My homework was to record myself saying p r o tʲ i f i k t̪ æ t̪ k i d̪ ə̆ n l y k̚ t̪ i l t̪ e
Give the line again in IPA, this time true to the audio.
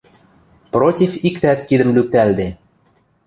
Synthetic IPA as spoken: p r o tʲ i f i k t̪ æ t̪ k i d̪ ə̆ m l y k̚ t̪ æ l d̪ e